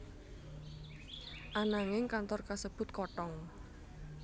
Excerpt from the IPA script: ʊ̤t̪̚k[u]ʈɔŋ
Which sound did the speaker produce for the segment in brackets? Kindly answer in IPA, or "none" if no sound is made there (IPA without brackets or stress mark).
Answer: ɔ